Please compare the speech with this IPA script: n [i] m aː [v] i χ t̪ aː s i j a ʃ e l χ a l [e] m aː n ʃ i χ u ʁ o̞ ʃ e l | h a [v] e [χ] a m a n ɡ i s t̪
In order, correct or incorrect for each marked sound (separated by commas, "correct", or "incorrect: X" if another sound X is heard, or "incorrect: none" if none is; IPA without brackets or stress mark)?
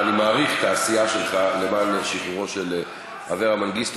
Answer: correct, incorrect: ʁ, correct, correct, incorrect: ʁ